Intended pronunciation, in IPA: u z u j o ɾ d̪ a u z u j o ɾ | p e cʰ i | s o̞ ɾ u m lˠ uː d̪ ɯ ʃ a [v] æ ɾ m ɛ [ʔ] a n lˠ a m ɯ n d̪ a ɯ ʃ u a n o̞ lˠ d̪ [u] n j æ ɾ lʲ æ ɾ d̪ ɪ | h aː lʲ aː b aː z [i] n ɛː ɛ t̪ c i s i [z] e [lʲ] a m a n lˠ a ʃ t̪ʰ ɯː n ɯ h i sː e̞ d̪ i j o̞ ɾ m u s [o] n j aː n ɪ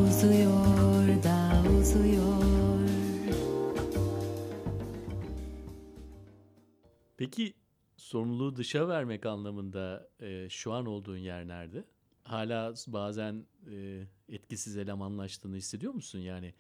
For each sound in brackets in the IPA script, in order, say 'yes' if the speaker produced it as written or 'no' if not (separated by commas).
yes, no, no, no, yes, yes, no